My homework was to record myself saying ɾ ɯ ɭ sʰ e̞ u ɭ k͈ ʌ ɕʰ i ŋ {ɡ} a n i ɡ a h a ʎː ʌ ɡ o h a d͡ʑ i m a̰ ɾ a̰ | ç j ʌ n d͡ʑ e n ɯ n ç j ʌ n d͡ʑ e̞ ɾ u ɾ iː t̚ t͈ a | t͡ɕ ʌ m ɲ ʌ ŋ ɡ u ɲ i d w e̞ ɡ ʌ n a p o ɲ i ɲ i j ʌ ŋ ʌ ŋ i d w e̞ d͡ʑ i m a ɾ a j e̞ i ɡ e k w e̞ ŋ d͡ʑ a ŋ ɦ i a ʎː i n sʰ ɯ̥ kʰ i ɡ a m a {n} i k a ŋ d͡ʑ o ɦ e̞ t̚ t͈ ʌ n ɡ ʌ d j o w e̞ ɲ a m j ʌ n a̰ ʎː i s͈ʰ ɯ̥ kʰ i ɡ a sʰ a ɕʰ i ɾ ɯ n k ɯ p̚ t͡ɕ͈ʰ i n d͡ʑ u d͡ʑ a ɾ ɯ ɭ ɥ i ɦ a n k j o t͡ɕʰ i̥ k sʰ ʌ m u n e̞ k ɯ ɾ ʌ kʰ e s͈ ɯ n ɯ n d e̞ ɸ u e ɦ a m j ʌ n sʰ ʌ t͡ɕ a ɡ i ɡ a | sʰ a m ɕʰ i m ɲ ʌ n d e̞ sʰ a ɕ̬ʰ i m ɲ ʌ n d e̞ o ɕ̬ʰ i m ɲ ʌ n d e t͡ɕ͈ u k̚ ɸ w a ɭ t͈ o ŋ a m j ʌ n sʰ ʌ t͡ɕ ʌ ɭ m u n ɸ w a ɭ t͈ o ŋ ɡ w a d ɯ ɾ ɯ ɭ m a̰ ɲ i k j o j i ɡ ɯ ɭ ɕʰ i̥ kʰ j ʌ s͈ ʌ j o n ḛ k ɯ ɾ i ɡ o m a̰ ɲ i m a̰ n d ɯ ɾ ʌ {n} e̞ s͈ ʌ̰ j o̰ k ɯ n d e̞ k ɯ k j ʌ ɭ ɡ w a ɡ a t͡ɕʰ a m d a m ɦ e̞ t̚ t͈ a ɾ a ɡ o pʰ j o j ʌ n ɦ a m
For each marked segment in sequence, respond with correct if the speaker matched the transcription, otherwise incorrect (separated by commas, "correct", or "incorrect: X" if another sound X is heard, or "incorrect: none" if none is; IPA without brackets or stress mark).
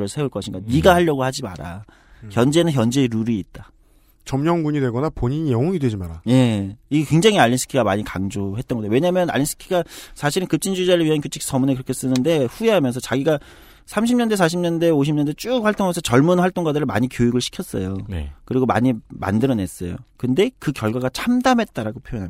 correct, incorrect: ɲ, correct